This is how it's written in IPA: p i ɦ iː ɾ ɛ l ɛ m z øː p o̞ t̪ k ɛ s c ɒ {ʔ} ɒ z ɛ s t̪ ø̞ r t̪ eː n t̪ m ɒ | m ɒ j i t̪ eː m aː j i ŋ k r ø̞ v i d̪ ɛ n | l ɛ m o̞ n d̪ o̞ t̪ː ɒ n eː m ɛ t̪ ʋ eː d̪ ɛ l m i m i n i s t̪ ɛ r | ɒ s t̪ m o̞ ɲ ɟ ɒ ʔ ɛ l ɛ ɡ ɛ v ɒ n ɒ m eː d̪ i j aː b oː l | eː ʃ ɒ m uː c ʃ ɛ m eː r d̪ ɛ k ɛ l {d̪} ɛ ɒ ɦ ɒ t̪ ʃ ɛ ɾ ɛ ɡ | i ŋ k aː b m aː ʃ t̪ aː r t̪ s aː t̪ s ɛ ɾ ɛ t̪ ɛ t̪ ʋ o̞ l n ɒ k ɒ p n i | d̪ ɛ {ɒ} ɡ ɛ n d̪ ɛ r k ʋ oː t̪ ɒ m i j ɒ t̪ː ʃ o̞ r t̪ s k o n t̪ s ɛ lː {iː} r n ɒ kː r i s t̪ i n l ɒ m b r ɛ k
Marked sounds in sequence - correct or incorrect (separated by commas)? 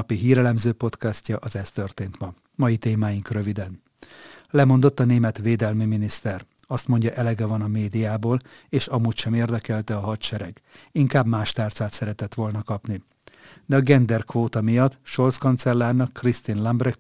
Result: correct, incorrect, correct, incorrect